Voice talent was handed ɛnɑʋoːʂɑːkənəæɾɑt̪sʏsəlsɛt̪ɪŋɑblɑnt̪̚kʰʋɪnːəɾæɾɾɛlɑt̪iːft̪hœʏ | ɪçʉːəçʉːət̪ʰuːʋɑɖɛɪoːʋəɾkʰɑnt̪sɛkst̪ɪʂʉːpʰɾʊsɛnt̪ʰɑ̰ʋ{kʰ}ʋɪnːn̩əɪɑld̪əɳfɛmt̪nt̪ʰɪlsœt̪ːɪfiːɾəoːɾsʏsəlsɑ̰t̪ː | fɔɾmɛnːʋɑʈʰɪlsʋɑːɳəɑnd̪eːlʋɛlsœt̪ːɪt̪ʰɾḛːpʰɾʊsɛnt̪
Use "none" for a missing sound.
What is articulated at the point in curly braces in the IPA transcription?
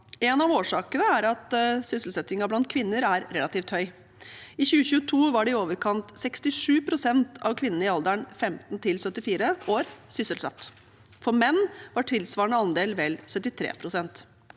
kʰ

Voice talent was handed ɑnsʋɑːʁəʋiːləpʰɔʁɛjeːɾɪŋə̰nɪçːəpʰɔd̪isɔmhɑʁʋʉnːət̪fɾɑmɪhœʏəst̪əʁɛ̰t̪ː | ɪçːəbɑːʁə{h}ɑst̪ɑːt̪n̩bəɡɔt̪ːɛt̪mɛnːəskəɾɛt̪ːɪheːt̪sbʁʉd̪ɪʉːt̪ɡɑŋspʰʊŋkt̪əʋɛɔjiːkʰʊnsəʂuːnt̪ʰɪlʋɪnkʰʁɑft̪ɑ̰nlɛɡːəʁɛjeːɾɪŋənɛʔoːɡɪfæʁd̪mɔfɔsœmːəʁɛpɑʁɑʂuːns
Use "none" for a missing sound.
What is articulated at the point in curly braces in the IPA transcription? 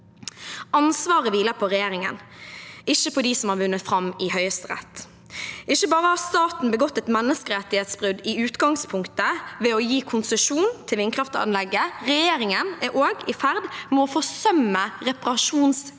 h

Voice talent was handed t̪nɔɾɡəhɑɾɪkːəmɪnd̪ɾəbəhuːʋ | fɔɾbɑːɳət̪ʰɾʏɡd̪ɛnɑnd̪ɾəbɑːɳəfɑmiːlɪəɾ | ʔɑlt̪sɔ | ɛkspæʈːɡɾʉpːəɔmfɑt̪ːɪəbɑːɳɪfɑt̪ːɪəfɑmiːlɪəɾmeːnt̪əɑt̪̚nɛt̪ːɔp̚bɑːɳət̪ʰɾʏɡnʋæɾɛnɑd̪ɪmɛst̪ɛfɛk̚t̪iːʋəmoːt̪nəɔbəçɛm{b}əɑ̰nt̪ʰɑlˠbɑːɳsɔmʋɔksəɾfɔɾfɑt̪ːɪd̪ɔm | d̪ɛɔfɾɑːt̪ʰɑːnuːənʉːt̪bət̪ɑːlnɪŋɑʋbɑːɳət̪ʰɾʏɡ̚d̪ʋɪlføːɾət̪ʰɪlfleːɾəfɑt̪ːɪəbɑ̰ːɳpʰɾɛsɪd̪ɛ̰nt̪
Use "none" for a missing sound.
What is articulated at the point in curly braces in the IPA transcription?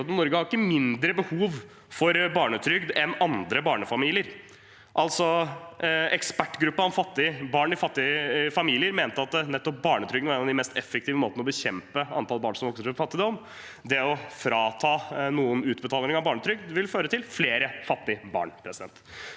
p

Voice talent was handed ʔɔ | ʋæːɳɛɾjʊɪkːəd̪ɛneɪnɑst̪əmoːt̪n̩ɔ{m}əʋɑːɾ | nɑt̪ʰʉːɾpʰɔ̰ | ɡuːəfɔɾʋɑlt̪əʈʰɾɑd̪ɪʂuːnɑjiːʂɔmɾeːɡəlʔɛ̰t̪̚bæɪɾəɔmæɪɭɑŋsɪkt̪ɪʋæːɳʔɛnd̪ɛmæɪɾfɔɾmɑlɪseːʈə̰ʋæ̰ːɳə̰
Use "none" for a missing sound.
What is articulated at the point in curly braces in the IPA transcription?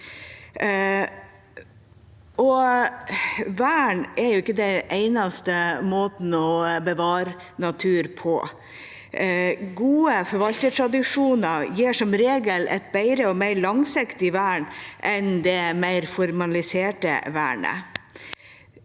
b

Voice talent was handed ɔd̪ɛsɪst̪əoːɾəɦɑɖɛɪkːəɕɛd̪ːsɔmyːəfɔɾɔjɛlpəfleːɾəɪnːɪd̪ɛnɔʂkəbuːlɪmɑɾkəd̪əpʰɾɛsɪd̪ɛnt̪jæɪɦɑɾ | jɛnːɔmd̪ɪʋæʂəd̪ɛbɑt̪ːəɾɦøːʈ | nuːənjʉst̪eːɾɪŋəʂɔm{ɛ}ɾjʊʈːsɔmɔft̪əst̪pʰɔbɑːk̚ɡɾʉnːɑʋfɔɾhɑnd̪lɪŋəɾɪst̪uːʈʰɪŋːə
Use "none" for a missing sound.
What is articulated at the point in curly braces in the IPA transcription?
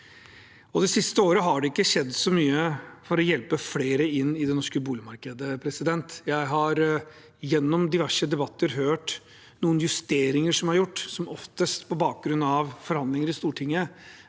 æ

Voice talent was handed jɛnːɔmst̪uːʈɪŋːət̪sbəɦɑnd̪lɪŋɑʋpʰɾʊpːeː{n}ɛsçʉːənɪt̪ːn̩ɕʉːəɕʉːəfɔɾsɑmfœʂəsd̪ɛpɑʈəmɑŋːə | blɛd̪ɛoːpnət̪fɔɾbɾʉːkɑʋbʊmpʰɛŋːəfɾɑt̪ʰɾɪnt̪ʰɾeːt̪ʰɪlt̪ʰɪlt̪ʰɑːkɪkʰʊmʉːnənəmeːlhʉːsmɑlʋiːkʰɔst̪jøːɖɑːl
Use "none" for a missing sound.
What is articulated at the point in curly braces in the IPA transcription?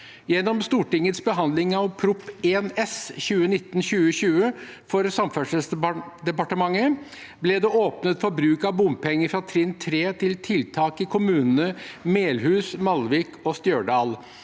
n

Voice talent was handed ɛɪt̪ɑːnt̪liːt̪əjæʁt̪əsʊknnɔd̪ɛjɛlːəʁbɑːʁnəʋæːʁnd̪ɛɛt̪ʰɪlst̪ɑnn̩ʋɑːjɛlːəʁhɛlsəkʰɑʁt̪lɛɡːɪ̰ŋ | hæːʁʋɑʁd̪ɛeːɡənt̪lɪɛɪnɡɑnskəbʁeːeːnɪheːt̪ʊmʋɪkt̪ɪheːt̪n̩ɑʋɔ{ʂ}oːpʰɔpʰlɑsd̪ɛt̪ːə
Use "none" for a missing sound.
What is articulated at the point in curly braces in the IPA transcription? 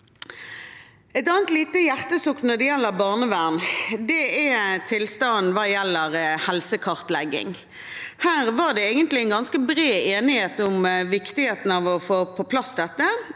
f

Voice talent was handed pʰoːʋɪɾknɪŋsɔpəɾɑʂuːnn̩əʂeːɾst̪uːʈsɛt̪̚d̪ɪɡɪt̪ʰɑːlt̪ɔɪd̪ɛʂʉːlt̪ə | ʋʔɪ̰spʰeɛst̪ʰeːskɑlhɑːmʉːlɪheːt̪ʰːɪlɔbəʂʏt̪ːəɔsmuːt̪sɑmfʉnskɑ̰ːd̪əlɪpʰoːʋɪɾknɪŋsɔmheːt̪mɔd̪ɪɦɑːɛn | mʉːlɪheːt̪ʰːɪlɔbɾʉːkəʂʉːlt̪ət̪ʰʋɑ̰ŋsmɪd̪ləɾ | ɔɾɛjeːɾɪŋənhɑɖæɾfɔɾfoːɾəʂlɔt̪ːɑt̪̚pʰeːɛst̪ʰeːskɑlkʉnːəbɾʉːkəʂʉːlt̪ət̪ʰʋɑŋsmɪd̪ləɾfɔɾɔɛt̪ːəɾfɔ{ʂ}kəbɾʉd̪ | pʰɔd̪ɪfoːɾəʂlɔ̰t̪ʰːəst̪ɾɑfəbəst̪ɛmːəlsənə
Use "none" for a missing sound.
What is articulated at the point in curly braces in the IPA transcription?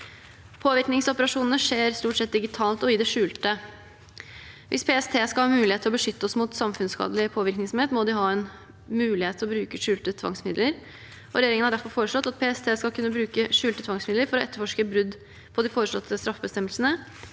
ʂ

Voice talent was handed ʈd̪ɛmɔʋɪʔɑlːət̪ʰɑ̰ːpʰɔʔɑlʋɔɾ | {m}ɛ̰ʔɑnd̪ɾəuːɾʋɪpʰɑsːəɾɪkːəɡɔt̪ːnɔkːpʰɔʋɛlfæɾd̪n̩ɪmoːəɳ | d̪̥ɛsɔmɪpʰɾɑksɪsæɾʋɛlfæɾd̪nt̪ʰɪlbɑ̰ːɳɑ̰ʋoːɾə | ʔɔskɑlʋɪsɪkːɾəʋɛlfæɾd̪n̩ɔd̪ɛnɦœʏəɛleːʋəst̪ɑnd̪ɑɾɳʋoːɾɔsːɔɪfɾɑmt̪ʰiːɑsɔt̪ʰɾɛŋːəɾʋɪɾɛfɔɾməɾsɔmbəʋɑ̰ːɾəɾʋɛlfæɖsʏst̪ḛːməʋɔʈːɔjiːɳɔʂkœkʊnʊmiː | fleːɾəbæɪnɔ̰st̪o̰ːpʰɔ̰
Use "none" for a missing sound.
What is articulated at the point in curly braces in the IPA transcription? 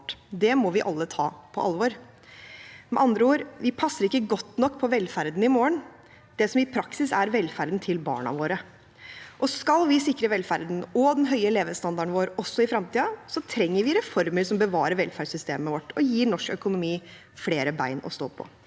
m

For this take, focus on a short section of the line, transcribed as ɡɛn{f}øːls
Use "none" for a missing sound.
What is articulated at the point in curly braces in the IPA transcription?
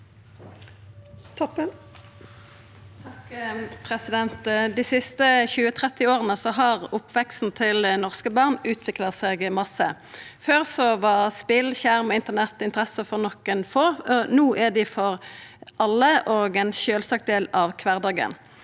ʃ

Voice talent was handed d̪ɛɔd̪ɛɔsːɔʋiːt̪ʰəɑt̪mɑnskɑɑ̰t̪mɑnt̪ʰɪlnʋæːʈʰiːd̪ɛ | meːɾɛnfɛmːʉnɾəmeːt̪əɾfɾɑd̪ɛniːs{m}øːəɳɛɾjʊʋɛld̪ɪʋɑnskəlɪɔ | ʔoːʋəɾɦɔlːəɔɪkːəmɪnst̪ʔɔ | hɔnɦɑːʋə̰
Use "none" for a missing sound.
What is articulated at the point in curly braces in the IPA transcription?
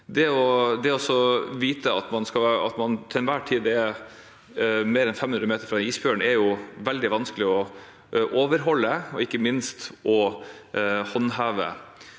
b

